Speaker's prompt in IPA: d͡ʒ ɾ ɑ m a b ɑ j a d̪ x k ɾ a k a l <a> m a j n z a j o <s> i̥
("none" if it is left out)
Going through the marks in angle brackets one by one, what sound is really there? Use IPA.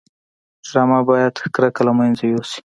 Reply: a, s

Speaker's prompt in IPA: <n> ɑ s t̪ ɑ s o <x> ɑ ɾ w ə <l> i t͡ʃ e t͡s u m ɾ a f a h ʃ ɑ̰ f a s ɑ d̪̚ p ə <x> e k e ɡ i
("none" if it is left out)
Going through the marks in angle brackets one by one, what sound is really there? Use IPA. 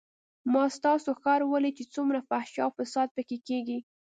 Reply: m, x, l, k

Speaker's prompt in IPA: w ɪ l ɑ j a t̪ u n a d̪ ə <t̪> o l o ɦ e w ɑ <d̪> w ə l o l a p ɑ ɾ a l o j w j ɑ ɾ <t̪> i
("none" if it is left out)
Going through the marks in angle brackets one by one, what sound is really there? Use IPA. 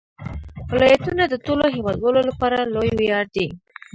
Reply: t̪, d̪, d̪

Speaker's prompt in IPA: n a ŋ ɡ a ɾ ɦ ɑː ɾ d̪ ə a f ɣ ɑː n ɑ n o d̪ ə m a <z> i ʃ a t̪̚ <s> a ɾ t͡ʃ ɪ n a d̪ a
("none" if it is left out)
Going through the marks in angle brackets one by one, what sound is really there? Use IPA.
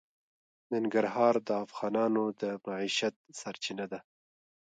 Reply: ʕ, s

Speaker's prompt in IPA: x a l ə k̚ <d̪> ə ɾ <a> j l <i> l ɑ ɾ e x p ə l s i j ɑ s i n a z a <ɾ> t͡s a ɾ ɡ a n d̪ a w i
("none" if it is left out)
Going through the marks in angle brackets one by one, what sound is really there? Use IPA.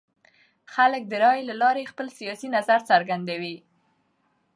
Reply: d̪, ɑ, a, ɾ

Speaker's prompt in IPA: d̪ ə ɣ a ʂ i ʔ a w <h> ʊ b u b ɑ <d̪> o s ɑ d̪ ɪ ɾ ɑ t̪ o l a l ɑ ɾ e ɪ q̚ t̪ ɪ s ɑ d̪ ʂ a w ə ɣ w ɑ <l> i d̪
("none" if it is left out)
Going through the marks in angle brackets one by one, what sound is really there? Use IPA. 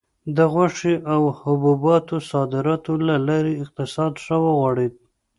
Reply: h, t̪, ɽ

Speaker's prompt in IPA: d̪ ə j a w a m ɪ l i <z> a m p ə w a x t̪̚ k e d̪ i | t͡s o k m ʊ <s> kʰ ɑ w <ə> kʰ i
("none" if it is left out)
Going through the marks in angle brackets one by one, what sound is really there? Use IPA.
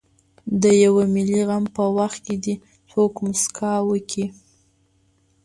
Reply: ɣ, s, ə

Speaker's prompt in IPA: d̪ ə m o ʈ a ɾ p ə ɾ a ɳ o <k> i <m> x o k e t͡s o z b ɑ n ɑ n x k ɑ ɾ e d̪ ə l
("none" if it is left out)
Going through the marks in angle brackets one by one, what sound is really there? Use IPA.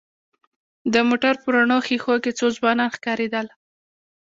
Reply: x, none

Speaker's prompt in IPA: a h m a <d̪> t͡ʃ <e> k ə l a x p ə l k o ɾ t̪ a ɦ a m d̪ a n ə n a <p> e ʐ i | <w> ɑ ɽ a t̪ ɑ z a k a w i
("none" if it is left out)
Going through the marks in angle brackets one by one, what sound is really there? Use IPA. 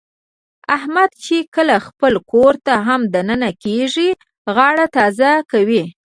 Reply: d̪, e, k, ɣ

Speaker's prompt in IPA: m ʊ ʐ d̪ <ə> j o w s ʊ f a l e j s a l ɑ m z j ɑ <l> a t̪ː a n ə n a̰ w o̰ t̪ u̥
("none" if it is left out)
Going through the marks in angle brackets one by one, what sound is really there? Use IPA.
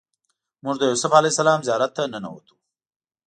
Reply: ə, ɾ

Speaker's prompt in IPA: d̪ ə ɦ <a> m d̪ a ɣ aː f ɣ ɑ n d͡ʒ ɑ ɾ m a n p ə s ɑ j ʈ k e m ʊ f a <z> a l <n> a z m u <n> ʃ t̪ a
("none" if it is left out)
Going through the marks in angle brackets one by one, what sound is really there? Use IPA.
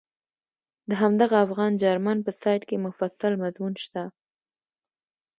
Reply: a, s, m, n

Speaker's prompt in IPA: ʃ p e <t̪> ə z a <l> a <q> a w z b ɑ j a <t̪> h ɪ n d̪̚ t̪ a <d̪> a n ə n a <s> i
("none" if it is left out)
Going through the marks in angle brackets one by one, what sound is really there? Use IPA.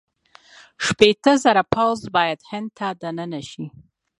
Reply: t̪, ɾ, p, d̪, d̪, ʃ

